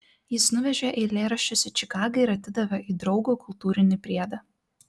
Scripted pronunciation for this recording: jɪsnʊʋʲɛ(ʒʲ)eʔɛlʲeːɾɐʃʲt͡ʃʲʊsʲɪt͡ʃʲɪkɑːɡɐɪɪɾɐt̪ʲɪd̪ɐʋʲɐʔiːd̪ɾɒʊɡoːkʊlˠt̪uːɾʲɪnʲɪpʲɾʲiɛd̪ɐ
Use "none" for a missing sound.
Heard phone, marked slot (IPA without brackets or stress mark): ʒʲ